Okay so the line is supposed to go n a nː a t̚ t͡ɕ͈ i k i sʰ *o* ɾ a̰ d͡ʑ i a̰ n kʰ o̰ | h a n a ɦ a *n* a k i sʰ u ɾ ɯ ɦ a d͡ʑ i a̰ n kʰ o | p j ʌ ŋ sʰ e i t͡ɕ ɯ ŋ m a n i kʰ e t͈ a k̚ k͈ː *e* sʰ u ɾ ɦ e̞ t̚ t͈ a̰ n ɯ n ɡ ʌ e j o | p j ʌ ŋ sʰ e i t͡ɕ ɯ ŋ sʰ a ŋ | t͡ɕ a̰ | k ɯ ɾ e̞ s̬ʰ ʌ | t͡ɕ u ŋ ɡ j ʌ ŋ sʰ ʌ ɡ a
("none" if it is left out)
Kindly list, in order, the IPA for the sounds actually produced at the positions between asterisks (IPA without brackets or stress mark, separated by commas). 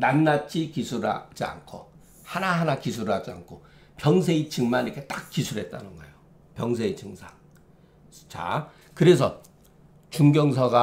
u, n, i